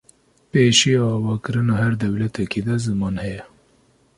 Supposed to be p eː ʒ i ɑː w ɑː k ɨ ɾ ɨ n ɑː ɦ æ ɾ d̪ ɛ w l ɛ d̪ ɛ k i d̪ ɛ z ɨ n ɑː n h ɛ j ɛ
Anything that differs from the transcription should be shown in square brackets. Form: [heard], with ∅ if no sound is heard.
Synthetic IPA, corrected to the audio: p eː [ʃ] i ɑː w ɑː k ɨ ɾ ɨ n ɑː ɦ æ ɾ d̪ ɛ w l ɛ [t̪] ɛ k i d̪ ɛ z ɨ [m] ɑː n h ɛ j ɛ